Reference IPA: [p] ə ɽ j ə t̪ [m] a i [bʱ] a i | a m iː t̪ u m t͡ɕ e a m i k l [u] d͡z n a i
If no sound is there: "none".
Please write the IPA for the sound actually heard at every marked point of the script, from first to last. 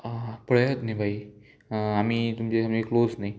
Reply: p, n, bʱ, o

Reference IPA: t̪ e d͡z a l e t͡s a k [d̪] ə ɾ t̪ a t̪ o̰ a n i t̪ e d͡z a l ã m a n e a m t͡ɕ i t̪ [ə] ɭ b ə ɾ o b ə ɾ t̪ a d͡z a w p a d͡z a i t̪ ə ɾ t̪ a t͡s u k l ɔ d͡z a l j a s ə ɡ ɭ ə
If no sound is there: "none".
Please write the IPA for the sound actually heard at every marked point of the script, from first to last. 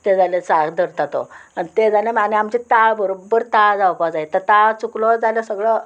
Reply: d̪, a

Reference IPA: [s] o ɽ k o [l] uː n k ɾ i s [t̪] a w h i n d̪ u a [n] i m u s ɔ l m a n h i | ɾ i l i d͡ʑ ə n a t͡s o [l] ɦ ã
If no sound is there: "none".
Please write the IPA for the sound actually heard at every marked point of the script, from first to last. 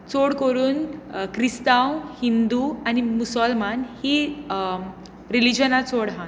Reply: t͡s, ɾ, t̪, n, ɽ

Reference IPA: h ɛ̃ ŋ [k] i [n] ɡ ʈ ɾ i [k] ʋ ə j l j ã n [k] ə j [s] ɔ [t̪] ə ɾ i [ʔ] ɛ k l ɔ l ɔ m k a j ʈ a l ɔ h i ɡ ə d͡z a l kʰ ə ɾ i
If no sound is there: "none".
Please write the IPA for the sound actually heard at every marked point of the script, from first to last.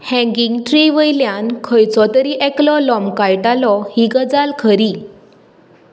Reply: ɡ, ŋ, none, kʰ, t͡s, t̪, ʔ

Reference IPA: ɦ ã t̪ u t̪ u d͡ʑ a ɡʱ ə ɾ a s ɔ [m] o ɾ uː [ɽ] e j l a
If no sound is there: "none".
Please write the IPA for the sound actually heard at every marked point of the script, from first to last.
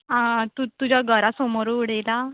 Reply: m, ɽ

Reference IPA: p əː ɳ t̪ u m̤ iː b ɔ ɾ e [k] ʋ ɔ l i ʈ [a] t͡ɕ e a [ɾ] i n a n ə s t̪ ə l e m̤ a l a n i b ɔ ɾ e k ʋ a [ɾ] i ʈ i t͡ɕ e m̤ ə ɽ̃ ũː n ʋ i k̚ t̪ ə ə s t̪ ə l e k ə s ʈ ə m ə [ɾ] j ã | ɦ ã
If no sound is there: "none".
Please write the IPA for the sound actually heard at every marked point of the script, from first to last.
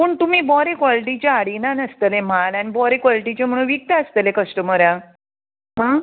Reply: k, i, ɽ, l, ɾ

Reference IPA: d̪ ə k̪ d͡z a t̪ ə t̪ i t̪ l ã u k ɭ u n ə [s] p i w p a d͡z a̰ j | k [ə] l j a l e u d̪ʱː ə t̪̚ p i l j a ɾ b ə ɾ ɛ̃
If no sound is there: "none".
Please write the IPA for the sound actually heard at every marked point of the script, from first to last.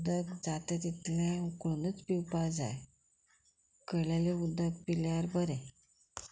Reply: t͡s, ə

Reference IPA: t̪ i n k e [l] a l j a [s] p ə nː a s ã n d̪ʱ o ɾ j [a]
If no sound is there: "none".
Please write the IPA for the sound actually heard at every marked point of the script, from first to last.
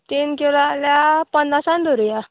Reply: l, none, a

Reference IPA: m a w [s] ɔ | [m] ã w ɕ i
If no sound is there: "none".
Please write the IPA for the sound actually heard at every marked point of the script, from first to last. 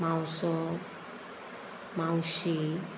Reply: s, m

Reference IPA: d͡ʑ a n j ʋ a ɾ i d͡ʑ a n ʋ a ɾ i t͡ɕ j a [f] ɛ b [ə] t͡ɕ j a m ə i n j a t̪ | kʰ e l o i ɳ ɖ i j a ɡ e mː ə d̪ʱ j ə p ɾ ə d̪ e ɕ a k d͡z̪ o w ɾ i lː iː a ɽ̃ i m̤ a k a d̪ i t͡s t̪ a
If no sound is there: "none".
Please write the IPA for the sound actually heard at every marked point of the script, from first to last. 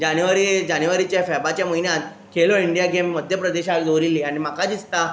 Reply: f, a

